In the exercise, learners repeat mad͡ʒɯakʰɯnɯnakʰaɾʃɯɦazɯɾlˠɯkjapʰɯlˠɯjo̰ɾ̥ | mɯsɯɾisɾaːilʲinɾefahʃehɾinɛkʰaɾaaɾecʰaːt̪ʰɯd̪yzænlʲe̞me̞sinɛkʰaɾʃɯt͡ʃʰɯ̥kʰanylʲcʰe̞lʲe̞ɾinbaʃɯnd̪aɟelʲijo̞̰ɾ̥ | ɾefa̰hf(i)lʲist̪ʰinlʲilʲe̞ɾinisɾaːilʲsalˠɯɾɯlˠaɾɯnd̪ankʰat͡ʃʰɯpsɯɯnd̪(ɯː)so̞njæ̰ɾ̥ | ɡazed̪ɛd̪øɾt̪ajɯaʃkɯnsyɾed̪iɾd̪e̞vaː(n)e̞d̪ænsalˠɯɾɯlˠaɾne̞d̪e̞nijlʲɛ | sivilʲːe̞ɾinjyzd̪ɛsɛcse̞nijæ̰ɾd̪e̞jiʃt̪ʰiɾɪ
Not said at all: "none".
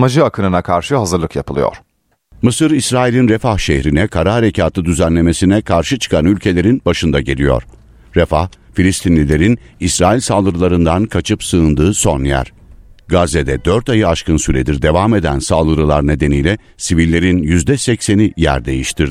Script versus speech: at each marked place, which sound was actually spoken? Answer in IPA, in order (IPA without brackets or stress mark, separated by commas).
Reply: i, ɯː, m